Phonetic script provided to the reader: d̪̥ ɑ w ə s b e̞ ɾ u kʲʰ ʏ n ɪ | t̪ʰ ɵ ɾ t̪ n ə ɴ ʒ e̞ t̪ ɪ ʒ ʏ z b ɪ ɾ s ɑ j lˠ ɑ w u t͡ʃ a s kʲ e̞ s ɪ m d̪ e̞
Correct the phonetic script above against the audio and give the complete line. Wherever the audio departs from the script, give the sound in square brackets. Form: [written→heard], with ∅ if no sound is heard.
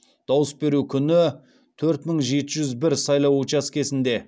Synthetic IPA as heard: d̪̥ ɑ w ə s b e̞ ɾ u kʲʰ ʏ n ɪ | t̪ʰ ɵ ɾ t̪ [n→m] ə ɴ ʒ e̞ t̪ ɪ ʒ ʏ z b ɪ ɾ s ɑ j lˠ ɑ w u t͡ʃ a s kʲ e̞ s ɪ [m→n] d̪ e̞